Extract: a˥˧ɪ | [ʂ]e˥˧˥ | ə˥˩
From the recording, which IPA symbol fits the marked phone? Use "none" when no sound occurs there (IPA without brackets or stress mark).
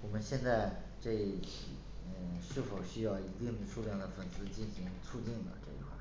ʈ͡ʂ